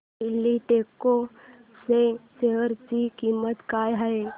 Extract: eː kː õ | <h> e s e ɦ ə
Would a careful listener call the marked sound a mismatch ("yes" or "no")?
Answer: yes